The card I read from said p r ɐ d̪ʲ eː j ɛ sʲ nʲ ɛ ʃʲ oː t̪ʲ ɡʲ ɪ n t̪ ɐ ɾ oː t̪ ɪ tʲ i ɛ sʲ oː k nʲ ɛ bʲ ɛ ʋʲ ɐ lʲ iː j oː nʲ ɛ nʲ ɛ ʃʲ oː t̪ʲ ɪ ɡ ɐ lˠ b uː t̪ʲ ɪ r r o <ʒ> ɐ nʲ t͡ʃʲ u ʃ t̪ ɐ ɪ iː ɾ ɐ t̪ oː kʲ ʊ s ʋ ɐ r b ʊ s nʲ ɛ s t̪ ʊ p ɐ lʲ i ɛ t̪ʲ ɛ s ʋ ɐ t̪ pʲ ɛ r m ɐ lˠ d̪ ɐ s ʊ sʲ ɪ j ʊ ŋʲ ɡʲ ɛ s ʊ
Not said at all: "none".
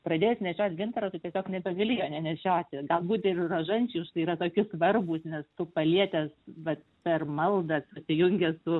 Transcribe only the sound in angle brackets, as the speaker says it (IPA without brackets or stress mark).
ʒ